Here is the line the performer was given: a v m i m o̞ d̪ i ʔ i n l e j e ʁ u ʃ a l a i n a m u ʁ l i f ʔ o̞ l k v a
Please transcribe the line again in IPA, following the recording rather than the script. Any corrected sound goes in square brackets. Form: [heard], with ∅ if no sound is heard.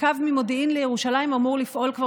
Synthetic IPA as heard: a v m i m o̞ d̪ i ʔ i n l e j e ʁ u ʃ a l a i [m] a m u ʁ l i f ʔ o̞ l k v a